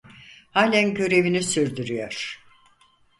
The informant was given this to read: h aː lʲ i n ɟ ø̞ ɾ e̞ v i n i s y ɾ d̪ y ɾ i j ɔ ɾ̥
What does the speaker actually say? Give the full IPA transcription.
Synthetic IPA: h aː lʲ æ n ɟ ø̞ ɾ e̞ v i n i s y ɾ d̪ y ɾ y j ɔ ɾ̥